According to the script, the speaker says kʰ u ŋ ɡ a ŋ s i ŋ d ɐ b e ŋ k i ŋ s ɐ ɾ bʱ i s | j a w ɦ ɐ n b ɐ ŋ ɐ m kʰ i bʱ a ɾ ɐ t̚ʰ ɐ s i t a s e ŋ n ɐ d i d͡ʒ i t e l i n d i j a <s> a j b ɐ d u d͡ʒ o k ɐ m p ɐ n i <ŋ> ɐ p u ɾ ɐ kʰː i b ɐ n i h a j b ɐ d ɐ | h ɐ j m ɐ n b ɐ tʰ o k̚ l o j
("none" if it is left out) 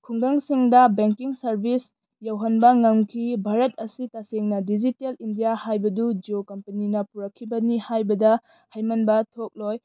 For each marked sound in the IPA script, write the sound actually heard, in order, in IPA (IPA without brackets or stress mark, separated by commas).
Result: h, n